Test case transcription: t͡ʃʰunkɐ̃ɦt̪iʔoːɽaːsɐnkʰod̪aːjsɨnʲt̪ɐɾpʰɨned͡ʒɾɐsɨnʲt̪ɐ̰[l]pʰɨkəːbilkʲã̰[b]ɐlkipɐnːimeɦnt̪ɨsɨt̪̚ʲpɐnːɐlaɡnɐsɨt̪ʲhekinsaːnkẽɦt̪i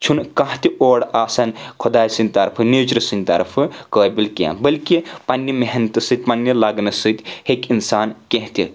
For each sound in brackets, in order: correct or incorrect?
incorrect: ɾ, correct

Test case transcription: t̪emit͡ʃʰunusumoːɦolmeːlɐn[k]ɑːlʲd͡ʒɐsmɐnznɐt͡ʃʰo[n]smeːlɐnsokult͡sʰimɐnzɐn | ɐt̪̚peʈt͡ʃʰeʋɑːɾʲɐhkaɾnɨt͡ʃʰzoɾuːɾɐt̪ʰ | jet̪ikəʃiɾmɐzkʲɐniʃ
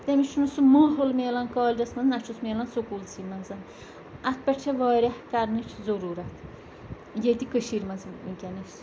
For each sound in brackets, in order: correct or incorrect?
correct, incorrect: none

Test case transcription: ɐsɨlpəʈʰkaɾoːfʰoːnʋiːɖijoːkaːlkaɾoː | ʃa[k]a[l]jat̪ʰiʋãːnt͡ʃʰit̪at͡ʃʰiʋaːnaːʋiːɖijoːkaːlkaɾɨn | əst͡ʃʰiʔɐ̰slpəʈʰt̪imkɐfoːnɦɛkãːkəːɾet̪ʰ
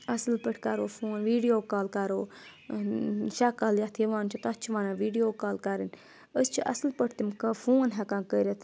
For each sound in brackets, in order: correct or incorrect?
correct, correct

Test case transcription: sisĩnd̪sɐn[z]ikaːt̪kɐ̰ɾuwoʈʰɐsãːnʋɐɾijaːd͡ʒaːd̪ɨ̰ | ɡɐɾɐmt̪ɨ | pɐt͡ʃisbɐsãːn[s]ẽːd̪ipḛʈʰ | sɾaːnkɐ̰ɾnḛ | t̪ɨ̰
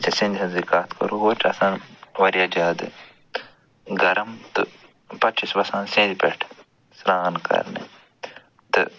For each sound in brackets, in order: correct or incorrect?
correct, correct

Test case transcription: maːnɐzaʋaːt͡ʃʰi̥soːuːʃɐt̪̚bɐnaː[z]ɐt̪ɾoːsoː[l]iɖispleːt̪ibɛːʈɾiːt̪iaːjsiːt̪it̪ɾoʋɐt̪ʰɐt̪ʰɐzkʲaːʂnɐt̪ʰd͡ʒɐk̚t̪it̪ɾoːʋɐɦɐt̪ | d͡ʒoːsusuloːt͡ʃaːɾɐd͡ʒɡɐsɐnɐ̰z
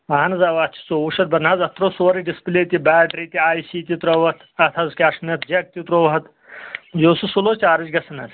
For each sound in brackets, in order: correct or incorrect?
correct, incorrect: ɾ

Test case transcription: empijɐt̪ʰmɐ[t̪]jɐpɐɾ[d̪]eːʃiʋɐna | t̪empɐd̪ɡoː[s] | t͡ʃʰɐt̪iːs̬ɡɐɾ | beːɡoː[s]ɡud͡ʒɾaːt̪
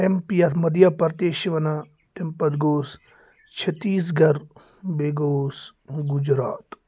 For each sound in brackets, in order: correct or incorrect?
incorrect: d̪, incorrect: t̪, correct, correct

